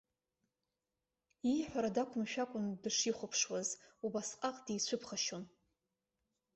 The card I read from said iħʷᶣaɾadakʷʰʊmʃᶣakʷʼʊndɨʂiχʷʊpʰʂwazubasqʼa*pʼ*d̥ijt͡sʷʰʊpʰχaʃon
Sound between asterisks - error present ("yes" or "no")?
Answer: yes